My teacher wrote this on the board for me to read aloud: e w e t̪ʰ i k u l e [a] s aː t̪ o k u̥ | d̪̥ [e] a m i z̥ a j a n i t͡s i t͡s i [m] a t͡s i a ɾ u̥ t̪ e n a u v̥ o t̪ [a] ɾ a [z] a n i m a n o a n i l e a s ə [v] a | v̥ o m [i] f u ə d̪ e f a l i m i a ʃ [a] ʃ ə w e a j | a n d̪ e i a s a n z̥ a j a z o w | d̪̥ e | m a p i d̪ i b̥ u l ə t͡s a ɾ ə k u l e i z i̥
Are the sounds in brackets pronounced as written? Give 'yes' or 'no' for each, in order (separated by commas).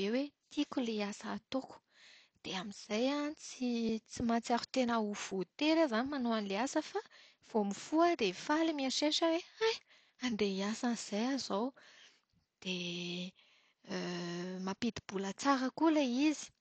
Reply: yes, yes, yes, no, yes, no, yes, no